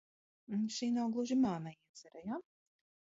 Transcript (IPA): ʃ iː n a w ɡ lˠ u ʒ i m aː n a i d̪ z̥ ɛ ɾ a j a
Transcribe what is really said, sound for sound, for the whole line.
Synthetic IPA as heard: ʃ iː n a w ɡ lˠ u ʒ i m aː n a i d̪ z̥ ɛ ɾ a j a